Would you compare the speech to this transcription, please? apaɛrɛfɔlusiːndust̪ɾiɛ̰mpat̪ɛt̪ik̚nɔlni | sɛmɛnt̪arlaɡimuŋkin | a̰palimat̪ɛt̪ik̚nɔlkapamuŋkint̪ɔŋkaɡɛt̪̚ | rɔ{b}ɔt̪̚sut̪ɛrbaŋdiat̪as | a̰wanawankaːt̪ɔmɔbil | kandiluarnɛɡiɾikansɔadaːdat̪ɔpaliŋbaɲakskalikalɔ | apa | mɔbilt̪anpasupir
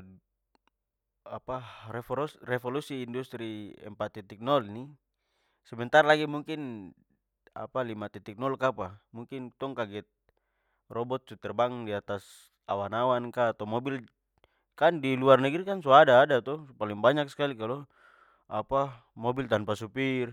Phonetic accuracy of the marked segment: correct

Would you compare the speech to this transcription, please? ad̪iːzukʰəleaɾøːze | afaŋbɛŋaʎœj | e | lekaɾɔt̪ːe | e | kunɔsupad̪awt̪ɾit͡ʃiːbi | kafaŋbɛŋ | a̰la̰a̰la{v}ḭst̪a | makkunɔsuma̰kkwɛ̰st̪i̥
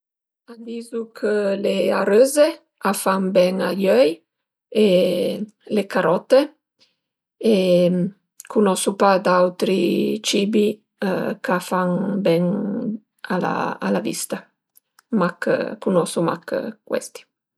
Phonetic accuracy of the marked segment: correct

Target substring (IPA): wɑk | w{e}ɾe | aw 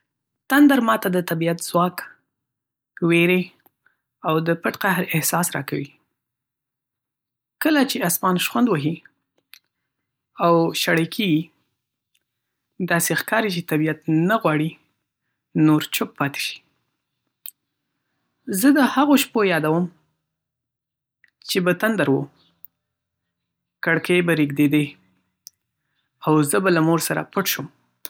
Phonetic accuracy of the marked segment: correct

